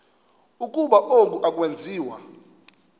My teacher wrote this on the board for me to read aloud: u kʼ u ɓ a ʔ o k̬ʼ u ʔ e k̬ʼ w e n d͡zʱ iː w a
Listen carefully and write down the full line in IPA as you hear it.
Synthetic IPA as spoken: u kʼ u ɓ a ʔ o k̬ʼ u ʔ a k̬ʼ w e n d͡zʱ iː w a